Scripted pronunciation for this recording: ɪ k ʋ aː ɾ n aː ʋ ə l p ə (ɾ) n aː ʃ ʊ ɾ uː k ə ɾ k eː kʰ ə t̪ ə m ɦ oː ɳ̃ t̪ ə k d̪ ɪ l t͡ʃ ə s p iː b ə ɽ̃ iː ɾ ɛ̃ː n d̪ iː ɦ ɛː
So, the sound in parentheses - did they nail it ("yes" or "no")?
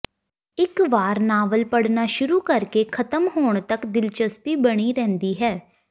no